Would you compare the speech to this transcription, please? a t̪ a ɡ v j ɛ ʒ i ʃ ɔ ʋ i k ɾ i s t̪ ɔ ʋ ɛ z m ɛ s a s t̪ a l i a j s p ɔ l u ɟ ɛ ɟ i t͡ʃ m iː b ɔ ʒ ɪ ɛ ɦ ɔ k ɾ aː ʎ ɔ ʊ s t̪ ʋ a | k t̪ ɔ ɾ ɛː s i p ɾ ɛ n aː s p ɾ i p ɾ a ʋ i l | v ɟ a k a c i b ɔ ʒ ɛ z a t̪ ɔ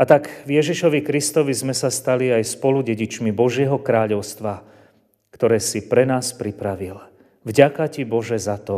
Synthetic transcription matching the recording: a t̪ a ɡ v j ɛ ʒ i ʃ ɔ ʋ i k ɾ i s t̪ ɔ ʋ i z m ɛ s a s t̪ a l i a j s p ɔ l u ɟ ɛ ɟ i t͡ʃ m i b ɔ ʒ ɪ ɛ ɦ ɔ k ɾ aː ʎ ɔ ʊ s t̪ ʋ a | k t̪ ɔ ɾ ɛː s i p ɾ ɛ n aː s p ɾ i p ɾ a ʋ i l | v ɟ a k a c i b ɔ ʒ ɛ z a t̪ ɔ